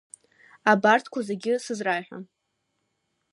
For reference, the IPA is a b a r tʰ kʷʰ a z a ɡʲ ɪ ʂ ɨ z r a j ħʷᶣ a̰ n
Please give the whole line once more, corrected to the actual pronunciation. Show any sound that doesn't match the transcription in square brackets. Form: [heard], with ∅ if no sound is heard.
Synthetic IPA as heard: a b a r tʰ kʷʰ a z [e] ɡʲ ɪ [s] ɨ z r a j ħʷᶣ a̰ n